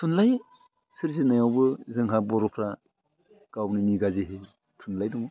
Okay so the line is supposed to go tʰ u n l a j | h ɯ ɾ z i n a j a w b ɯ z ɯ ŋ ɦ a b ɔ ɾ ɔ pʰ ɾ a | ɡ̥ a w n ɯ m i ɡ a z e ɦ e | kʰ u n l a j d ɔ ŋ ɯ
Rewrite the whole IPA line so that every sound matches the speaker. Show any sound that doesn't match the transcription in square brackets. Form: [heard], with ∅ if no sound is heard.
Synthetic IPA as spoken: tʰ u n l a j | [s] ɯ ɾ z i n a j a w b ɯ z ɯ ŋ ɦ a b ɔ ɾ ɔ pʰ ɾ a | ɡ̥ a w n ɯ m i ɡ a z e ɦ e | [tʰ] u n l a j d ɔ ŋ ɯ